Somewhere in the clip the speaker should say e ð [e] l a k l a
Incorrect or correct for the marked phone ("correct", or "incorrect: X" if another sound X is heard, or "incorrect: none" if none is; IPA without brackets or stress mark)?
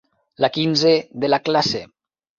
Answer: correct